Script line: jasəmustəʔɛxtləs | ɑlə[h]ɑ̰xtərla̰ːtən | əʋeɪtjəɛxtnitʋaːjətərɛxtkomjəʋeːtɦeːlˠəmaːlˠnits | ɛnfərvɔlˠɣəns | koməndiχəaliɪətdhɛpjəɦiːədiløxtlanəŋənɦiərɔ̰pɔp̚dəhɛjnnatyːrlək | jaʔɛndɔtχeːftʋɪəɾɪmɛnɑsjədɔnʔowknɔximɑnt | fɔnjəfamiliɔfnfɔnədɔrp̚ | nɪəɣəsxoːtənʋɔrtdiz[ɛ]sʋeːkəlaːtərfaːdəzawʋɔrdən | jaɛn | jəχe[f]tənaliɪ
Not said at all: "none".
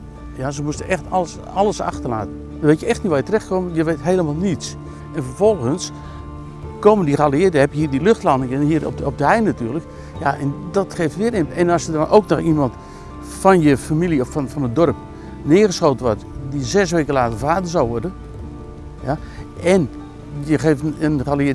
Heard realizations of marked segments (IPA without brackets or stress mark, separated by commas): s, ɛ, f